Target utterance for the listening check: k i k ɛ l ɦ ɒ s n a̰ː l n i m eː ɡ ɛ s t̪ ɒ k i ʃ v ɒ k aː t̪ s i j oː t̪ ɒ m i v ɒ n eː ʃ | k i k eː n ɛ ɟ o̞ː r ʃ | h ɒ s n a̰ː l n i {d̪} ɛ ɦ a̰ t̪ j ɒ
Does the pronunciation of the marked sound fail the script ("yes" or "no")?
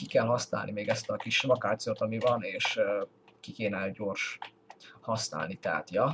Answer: yes